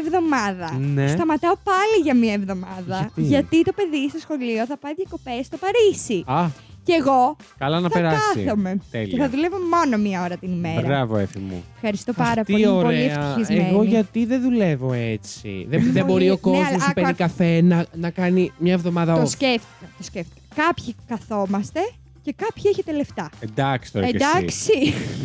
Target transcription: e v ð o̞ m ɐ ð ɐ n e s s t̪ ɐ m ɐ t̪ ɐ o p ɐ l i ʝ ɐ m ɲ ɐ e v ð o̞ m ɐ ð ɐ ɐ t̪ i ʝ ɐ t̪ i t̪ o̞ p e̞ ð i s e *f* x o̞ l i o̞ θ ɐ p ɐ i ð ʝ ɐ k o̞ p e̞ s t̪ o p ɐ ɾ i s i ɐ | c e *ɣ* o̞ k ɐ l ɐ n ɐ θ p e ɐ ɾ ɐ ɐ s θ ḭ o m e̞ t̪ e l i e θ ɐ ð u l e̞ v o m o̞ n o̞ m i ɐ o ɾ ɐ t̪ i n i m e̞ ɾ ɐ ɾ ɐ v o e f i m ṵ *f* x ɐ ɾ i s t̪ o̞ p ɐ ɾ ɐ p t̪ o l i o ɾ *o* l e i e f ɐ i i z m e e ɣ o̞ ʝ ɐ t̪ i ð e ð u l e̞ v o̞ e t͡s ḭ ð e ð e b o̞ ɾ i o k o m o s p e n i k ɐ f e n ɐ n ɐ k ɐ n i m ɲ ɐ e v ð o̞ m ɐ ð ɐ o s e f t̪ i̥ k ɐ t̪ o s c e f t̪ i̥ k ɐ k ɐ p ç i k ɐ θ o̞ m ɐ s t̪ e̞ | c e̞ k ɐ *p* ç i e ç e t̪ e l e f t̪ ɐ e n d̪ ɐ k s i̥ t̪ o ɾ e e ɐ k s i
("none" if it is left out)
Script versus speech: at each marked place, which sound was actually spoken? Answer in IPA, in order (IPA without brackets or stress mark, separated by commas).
s, ɣ, f, o, p